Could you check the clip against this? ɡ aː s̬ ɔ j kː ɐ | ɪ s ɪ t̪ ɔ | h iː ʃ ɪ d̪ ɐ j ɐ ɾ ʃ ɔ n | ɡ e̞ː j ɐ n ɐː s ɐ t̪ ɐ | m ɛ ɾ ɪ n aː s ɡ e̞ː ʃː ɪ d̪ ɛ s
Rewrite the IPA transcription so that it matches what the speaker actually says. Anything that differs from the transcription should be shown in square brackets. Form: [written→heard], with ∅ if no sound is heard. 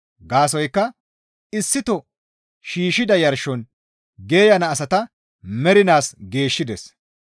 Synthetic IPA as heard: ɡ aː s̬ ɔ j kː ɐ | ɪ [s→sː] ɪ t̪ ɔ | [h→ʃ] iː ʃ ɪ d̪ ɐ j ɐ ɾ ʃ ɔ n | ɡ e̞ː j ɐ n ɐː s ɐ t̪ ɐ | m ɛ ɾ ɪ n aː s ɡ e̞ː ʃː ɪ d̪ ɛ s